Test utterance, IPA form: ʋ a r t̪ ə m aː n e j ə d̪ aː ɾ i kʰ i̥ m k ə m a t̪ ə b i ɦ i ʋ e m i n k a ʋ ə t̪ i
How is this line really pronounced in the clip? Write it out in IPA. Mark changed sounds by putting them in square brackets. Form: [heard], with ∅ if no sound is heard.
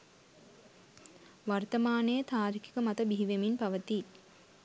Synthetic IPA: ʋ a r t̪ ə m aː n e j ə [t̪] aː ɾ i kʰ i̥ [∅] k ə m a t̪ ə b i ɦ i ʋ e m i n [p] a ʋ ə t̪ i